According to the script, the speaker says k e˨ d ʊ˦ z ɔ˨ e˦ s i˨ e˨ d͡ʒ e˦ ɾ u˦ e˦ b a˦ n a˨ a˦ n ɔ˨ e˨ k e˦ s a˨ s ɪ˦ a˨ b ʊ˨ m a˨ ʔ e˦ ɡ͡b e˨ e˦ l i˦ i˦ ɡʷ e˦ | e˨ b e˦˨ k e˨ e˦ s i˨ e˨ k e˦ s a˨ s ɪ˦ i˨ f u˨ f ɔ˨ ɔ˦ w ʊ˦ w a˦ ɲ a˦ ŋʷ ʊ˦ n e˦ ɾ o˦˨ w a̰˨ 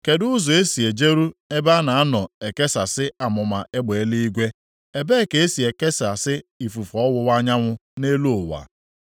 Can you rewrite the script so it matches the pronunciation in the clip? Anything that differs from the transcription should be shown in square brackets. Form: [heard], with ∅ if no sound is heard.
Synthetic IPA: k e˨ d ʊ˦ z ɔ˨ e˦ s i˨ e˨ d͡ʒ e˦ ɾ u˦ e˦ b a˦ n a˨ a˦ n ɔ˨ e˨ k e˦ s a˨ s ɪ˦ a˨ [m] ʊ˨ m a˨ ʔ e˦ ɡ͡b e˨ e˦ l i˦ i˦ ɡʷ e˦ | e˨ b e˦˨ k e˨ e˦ s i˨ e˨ k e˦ s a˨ s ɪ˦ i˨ f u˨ f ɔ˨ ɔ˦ w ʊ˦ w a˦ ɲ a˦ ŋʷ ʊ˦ n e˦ [l] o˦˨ w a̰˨